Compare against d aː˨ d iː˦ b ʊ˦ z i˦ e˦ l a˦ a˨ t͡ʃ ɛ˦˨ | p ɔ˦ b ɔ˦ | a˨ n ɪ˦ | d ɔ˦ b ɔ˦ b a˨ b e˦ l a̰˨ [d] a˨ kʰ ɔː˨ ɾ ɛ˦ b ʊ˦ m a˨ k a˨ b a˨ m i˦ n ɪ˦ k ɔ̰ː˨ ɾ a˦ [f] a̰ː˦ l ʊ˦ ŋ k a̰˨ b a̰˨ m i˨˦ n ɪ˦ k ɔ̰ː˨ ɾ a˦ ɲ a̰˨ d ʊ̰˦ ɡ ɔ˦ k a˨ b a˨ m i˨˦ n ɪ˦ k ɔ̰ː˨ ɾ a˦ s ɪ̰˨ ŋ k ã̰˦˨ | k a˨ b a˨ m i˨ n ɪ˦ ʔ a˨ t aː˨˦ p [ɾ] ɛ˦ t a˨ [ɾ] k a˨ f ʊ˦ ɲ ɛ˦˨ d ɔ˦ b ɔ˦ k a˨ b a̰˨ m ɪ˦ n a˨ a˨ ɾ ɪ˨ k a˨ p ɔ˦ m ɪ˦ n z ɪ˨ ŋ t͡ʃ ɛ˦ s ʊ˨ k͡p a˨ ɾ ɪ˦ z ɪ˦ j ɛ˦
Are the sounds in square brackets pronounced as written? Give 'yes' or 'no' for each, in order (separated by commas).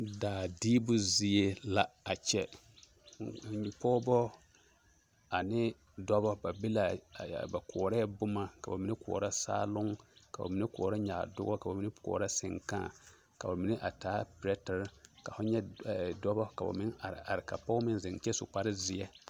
no, no, yes, yes